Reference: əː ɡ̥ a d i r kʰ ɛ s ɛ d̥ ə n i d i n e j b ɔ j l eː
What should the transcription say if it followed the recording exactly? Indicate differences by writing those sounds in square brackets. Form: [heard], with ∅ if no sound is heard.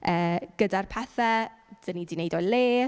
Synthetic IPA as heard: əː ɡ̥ [ə] d [a] r [pʰ] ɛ [θ] ɛ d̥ ə n i d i n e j [d] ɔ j l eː